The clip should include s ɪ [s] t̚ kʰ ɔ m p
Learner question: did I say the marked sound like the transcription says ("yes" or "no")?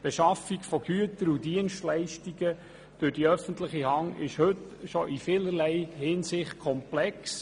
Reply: no